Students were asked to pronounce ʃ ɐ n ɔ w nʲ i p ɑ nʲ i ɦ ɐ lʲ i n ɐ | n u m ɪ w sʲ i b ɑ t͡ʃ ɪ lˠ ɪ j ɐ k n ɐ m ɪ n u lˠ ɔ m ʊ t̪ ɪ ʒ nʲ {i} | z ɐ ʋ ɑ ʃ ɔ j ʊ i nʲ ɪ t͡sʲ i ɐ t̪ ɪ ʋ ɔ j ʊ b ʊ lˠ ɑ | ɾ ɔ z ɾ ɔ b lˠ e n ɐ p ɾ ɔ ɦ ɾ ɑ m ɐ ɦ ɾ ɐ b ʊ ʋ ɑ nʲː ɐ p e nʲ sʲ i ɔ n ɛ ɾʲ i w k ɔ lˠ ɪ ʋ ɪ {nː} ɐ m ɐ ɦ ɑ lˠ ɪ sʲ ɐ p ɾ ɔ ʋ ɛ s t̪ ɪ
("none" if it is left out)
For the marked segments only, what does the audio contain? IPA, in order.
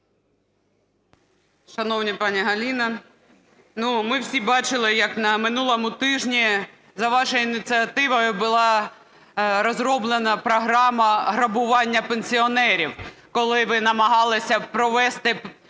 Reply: i, n

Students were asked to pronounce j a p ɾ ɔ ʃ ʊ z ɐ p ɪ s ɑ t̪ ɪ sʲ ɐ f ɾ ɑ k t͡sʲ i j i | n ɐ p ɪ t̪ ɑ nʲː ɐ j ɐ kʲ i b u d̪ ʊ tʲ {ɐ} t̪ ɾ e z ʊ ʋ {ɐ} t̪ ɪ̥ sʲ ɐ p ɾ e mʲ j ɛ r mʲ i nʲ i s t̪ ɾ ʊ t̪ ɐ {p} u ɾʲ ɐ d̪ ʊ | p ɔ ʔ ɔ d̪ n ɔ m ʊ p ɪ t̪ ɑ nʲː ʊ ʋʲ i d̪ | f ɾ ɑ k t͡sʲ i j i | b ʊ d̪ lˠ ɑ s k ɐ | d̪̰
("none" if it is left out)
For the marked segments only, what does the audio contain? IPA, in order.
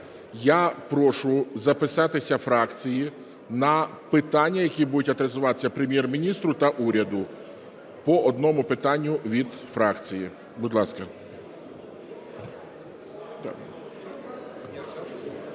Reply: ɐ, ɑ, ʔ

